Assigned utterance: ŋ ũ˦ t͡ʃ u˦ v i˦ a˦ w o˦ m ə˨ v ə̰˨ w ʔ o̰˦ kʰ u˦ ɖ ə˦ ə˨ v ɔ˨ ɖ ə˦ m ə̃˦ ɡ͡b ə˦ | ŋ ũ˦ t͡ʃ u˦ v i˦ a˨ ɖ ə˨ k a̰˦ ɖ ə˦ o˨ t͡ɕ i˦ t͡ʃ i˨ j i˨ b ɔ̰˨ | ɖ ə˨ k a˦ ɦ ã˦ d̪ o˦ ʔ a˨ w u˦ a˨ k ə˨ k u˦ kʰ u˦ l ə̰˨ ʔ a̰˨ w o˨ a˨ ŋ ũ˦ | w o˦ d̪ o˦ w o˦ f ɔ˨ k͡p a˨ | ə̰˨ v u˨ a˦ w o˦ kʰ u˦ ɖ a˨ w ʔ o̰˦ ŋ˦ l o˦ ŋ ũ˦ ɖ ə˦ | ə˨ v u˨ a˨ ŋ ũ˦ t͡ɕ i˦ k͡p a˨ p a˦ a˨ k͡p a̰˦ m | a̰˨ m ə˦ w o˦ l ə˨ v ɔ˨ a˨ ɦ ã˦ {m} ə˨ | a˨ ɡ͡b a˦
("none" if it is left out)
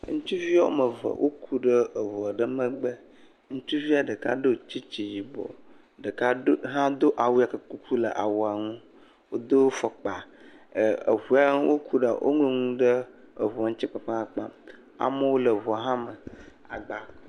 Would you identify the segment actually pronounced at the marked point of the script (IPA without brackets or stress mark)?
m